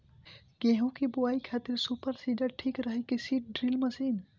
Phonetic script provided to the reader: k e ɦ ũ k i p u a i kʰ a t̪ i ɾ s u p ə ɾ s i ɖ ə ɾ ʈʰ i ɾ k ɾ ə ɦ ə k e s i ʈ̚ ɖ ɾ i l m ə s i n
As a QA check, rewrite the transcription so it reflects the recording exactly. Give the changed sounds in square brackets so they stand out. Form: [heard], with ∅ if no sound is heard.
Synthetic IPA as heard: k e ɦ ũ k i [b] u a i kʰ a t̪ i ɾ s u p ə ɾ s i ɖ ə ɾ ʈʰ i [∅] k ɾ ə ɦ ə k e s i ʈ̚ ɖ ɾ i l m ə s i n